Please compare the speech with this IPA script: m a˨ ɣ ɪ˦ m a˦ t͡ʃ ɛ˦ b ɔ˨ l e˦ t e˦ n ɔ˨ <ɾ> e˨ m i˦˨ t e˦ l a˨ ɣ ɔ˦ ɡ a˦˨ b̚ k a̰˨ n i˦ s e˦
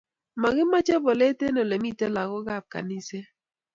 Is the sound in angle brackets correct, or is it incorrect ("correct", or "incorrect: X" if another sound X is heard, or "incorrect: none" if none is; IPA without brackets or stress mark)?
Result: incorrect: l